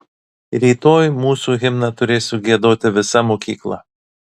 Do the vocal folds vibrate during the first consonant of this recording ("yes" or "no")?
yes